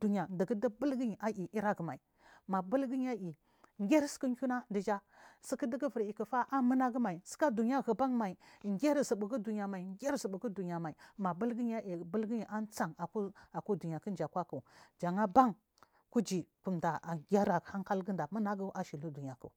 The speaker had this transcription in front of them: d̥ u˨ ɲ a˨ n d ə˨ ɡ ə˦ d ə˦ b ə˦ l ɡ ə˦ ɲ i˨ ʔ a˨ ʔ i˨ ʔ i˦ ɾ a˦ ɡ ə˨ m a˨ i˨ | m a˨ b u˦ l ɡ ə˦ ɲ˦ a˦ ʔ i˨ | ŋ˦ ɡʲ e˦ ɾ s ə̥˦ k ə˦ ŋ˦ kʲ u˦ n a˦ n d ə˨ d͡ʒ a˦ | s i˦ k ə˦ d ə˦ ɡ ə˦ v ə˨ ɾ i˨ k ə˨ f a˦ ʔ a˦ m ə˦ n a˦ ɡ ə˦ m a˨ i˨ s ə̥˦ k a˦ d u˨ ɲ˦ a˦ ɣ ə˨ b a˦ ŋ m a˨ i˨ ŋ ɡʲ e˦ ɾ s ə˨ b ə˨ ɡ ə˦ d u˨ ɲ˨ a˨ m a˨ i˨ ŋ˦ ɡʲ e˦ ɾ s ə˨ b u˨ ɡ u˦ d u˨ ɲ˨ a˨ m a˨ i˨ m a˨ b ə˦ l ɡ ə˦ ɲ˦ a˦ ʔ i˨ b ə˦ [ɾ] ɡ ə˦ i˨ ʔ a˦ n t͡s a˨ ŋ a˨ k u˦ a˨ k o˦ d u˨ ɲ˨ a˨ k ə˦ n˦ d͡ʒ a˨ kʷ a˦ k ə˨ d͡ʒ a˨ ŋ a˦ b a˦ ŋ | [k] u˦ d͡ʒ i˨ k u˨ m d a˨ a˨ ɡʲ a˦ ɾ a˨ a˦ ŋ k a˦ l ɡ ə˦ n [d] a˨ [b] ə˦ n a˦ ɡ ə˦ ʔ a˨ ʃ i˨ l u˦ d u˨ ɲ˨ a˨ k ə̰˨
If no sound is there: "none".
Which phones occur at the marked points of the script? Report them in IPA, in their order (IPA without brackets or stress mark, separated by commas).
l, k, d, m